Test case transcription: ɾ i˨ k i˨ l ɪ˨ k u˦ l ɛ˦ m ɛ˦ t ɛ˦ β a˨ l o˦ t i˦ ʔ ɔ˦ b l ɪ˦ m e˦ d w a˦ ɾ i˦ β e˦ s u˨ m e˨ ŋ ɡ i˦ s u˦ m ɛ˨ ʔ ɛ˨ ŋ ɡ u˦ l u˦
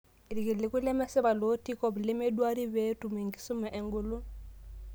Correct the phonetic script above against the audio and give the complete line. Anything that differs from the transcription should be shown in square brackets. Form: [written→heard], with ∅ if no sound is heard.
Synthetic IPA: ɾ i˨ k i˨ l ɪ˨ k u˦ l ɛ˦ m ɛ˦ [t→s] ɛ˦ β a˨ l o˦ t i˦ [ʔ→k] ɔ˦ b l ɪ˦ m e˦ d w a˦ ɾ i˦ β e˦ [s→t] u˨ m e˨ ŋ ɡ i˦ s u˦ m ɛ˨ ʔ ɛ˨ ŋ ɡ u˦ l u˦